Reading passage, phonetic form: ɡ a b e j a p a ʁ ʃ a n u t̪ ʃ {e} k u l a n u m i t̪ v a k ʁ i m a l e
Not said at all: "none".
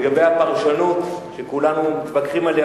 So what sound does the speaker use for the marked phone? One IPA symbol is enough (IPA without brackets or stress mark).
e